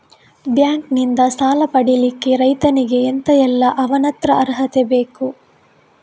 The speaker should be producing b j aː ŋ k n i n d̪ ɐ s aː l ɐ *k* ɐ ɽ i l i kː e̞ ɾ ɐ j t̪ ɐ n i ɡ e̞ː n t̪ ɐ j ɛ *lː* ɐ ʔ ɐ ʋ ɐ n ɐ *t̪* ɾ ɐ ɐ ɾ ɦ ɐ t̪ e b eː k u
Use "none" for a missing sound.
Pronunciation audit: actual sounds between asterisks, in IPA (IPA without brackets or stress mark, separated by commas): p, lː, t̪